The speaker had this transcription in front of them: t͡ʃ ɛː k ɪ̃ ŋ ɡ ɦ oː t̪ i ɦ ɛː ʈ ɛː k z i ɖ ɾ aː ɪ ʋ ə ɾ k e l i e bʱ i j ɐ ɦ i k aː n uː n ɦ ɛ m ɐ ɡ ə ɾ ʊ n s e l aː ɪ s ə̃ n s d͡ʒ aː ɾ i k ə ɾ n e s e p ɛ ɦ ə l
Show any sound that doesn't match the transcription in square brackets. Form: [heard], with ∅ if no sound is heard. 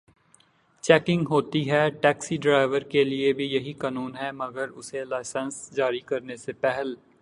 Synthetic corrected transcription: t͡ʃ ɛː k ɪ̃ ŋ ɡ ɦ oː t̪ i ɦ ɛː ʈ ɛː k [s] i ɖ ɾ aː ɪ ʋ ə ɾ k e l i e bʱ i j ɐ ɦ i k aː n uː n ɦ ɛ m ɐ ɡ ə ɾ ʊ [∅] s e l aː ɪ s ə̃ n s d͡ʒ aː ɾ i k [ɐ] ɾ n e s e p ɛ ɦ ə l